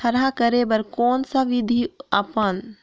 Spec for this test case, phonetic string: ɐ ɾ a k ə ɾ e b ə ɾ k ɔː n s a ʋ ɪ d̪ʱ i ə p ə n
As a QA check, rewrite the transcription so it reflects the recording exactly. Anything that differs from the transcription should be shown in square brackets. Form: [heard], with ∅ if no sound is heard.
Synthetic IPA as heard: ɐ ɾ a k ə ɾ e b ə ɾ k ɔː n s a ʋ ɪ d̪ʱ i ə p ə n